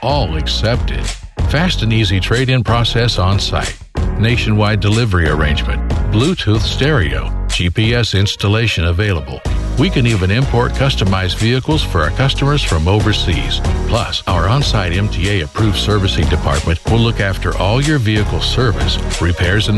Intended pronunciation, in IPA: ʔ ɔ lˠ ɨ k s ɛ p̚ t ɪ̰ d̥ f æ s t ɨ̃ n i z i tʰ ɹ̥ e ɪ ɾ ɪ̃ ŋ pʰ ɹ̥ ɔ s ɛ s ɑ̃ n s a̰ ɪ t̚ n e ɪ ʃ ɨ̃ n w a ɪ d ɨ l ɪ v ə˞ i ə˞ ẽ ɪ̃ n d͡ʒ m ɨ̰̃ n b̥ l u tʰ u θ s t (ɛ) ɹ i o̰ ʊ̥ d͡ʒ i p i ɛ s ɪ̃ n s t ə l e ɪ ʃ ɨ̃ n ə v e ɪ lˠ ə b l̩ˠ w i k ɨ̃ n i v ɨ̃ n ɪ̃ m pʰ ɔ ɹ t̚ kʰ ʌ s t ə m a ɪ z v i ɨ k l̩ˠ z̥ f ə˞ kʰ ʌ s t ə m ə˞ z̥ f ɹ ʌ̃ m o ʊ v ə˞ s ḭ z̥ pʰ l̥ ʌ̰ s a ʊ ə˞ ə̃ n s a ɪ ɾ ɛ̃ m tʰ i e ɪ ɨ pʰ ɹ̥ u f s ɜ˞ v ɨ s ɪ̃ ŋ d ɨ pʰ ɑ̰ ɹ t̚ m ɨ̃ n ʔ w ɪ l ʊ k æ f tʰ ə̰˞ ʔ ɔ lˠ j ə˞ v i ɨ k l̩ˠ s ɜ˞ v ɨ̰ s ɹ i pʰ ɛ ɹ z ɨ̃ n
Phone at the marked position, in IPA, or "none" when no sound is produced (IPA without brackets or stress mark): ɛ